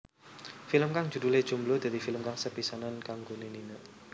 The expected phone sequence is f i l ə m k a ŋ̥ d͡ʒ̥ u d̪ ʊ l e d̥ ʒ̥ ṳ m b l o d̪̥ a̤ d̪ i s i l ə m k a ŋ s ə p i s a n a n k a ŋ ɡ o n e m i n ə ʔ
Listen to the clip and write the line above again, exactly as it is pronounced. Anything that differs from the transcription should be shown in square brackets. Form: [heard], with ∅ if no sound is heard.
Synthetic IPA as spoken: f i l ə m k a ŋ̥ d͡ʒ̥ u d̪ [u] l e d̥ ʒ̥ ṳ m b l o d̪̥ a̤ d̪ i [f] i l ə m k a ŋ s ə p i s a n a n k a ŋ ɡ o n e [n] i n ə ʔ